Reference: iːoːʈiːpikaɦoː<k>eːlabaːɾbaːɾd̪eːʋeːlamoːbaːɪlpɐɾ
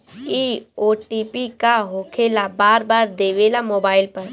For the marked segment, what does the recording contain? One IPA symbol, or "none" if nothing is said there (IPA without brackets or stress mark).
kʰ